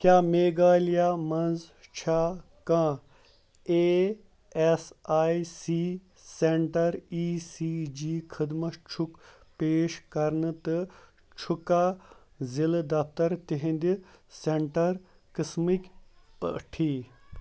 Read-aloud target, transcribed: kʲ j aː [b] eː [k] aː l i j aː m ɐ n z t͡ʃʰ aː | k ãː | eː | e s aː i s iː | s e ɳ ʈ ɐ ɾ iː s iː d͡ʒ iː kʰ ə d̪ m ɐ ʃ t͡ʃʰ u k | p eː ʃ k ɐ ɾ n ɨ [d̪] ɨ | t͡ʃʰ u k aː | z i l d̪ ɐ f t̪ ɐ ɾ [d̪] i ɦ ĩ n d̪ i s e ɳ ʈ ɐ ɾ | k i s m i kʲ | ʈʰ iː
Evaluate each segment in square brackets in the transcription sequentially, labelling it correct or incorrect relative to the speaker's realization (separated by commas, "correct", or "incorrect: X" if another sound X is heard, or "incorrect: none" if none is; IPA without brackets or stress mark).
incorrect: m, incorrect: ɡ, incorrect: t̪, incorrect: t̪